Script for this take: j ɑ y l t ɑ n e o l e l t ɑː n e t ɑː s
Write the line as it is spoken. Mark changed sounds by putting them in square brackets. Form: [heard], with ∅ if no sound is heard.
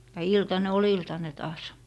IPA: j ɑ [i] l t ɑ n e o l [i] l t [ɑ] n e t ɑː s